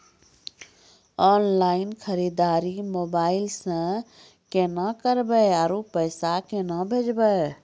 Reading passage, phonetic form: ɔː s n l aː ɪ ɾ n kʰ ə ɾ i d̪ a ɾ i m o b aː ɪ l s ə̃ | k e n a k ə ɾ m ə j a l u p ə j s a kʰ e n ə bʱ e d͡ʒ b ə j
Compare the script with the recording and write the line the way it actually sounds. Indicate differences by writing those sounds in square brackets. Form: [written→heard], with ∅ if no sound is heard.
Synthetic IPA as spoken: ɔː [s→∅] n l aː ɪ [ɾ→∅] n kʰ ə ɾ i d̪ a ɾ i m o b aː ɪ l s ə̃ | k e n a k ə ɾ [m→b] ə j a [l→ɾ] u p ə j s a [kʰ→k] e n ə bʱ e d͡ʒ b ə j